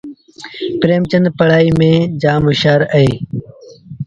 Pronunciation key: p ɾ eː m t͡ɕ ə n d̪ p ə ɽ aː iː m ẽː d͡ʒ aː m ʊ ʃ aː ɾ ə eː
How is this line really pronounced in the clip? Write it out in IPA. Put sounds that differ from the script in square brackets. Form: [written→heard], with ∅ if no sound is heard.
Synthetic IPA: p ɾ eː m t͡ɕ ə n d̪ p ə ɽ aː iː m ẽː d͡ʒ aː m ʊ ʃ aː ɾ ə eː